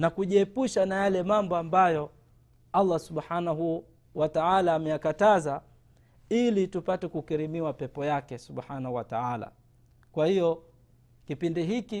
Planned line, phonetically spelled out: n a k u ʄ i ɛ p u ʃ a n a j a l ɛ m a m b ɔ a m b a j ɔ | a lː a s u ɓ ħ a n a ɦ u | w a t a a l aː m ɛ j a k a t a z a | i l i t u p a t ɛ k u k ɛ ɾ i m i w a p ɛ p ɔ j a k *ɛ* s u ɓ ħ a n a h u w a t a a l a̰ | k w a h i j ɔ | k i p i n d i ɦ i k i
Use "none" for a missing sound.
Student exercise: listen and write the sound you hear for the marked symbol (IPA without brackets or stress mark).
ɛ